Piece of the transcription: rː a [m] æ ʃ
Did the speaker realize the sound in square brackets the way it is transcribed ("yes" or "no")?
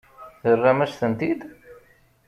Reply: yes